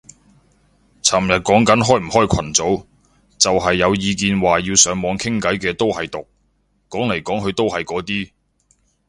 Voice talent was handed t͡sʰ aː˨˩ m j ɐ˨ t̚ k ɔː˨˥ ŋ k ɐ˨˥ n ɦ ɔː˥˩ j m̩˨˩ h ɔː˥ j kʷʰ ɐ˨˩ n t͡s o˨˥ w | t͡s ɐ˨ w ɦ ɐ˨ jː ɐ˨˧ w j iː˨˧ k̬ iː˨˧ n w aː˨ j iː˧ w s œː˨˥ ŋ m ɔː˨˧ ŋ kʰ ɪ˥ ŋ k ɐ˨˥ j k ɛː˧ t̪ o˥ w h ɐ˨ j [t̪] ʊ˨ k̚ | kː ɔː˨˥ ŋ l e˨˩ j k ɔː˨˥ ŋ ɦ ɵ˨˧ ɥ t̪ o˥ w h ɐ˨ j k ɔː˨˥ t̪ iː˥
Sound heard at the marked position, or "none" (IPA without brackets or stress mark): t̪